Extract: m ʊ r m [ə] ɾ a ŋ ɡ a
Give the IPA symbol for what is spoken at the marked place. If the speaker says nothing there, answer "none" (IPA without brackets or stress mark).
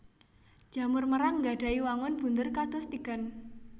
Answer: ə